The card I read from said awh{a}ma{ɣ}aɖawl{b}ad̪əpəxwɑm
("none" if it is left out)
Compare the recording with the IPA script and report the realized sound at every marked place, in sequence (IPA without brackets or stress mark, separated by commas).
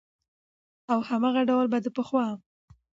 a, ɣ, b